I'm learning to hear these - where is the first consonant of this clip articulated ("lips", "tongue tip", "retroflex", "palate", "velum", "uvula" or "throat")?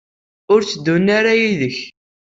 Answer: tongue tip